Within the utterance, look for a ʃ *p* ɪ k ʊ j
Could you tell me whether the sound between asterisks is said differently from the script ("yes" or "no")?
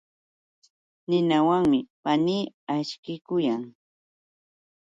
yes